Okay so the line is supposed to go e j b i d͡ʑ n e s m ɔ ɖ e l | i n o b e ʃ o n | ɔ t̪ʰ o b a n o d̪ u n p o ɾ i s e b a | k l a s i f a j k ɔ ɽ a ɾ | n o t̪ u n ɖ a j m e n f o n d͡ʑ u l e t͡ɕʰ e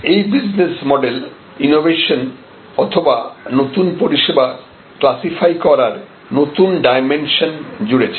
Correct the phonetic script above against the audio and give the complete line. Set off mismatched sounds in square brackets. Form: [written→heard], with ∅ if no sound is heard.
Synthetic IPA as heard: e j b i d͡ʑ n e s m ɔ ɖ e l | i n o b e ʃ o n | ɔ t̪ʰ o b a n o [d̪→t̪] u n p o ɾ i [s→ʃ] e b a | k l a s i f a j k ɔ [ɽ→ɾ] a ɾ | n o t̪ u n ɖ a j m e n [f→ʃ] o n d͡ʑ u [l→ɽ] e t͡ɕʰ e